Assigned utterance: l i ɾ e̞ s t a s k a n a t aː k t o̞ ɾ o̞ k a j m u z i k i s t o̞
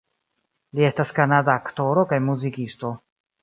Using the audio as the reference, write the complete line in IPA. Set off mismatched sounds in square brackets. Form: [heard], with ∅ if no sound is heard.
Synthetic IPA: l i [∅] e̞ s t a s k a n a [d] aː k t o̞ ɾ o̞ k a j m u z i k i s t o̞